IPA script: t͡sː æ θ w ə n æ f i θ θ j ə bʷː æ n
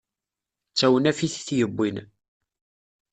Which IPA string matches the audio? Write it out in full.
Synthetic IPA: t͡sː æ w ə n æ f i θ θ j ə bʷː i n

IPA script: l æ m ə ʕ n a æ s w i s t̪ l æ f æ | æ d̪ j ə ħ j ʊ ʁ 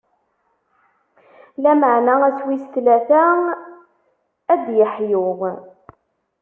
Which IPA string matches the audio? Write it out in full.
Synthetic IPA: l æ m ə ʕ n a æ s w i s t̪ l æ θ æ | æ d̪ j ə ħ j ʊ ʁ

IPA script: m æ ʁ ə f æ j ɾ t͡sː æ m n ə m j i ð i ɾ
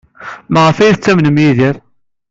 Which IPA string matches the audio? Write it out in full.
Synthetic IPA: m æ ʁ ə f æ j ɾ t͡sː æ m n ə m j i ð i ɾ

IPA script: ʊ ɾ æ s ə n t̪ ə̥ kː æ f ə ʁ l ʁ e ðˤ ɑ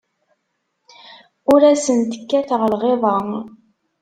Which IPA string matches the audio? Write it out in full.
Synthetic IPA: ʊ ɾ æ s ə n t̪ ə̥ kː æ θ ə ʁ l ʁ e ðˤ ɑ

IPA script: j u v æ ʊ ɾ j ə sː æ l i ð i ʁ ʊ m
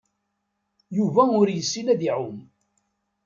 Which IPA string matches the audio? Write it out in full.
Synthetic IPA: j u v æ ʊ ɾ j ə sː i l æ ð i ʕ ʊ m

